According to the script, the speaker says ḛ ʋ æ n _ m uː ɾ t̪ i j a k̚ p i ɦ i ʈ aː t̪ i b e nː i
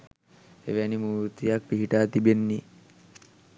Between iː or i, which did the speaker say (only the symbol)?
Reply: i